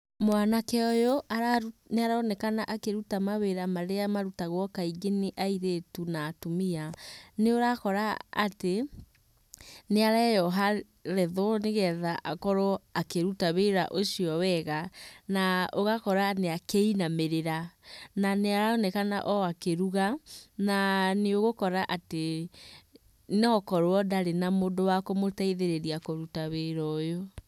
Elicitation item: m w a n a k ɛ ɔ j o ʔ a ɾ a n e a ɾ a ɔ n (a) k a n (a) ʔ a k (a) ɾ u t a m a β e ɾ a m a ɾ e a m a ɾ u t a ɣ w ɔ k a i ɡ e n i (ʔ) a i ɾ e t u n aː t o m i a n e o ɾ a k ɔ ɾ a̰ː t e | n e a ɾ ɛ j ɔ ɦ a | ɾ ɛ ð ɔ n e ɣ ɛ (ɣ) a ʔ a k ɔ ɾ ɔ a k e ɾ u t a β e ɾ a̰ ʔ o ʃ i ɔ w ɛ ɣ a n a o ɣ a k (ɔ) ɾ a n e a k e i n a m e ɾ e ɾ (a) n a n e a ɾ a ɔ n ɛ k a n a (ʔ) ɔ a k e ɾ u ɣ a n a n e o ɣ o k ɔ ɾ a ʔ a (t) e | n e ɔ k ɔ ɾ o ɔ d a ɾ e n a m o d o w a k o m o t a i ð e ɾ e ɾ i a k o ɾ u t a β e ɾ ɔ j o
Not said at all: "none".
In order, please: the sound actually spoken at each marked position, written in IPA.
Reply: ɛ, a, e, ʔ, ð, ɔ, a, ʔ, t

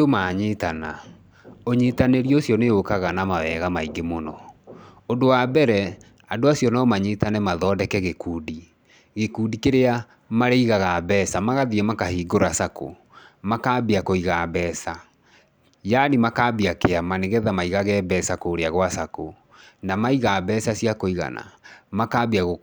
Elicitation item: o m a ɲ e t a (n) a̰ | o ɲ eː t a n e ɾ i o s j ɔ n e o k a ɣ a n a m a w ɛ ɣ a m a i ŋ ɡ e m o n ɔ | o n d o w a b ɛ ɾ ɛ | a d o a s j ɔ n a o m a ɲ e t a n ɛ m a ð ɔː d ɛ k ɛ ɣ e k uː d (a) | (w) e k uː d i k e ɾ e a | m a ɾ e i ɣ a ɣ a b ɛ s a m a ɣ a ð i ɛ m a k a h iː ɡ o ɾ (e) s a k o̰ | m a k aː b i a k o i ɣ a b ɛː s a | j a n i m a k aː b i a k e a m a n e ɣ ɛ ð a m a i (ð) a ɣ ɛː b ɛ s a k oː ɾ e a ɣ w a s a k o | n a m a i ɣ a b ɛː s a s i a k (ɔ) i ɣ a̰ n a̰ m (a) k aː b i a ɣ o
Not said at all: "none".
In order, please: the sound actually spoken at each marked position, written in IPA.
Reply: n, i, ɣ, a, ɣ, o, a

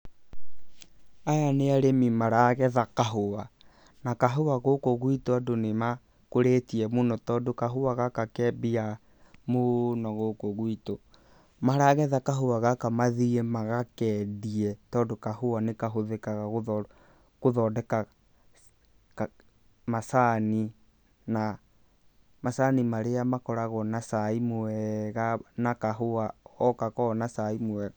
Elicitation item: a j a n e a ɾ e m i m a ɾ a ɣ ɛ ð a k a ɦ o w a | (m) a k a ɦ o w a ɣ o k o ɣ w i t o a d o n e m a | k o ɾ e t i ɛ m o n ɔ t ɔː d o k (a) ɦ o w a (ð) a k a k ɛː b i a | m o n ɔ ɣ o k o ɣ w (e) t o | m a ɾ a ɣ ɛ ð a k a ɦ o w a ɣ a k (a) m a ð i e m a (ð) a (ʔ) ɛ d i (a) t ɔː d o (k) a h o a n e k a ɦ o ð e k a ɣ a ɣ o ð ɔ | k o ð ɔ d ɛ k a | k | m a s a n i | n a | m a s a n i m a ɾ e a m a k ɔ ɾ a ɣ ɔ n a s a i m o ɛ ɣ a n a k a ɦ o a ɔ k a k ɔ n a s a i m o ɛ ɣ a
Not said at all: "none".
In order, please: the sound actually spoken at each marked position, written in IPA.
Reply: n, a, ɣ, i, a, ɣ, k, ɛ, k

